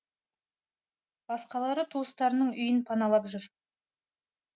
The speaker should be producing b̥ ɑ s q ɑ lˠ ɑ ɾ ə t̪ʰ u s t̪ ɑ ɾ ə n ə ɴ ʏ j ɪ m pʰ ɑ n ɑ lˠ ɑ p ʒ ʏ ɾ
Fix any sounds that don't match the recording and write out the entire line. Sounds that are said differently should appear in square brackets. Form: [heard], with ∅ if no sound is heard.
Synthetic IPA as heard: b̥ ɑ s q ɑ lˠ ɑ ɾ ə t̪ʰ u s t̪ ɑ ɾ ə n ə ɴ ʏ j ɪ [n] pʰ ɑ n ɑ lˠ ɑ p ʒ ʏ ɾ